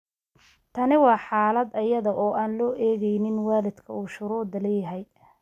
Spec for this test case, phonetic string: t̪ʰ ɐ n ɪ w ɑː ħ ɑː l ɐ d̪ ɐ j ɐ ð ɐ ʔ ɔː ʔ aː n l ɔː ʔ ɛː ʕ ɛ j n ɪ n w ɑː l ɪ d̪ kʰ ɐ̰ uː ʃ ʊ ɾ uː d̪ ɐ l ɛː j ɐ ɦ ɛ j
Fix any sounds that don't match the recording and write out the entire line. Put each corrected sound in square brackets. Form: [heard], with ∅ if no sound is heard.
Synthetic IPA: t̪ʰ ɐ n ɪ w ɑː ħ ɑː l ɐ d̪ ɐ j ɐ ð ɐ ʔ ɔː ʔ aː n l ɔː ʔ ɛː [ɣ] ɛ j n ɪ n w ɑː l ɪ d̪ kʰ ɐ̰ uː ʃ ʊ ɾ uː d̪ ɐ l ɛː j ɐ ɦ ɛ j